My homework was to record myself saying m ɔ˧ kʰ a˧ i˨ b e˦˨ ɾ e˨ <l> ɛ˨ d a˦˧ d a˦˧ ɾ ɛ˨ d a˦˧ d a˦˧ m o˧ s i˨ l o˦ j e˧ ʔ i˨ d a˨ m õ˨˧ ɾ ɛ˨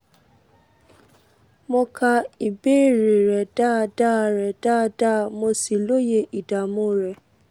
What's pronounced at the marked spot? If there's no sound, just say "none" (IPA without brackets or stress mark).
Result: ɾ